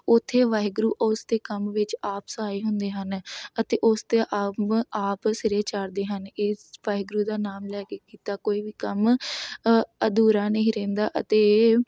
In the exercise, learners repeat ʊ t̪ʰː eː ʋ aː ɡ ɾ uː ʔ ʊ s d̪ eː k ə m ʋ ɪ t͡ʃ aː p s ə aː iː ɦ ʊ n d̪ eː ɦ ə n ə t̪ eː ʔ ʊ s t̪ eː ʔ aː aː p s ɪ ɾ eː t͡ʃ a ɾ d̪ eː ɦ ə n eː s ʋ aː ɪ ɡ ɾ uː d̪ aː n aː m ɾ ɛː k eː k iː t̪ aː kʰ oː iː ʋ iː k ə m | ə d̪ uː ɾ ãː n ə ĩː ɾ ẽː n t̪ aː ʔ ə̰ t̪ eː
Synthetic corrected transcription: ʊ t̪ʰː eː ʋ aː ɡ ɾ uː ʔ ʊ s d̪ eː k ə m ʋ ɪ t͡ʃ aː p s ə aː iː ɦ ʊ n d̪ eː ɦ ə n ə t̪ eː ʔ ʊ s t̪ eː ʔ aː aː p s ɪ ɾ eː t͡ʃ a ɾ d̪ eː ɦ ə n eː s ʋ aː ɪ ɡ ɾ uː d̪ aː n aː m l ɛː k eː k iː t̪ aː k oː iː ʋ iː k ə m | ə d̪ uː ɾ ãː n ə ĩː ɾ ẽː n d̪ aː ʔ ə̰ t̪ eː